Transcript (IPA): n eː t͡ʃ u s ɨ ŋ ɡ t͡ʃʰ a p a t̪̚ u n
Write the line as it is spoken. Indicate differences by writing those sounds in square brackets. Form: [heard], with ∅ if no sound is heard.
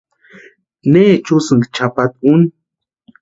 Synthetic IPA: n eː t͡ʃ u s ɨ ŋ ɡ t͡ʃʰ a p a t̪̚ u n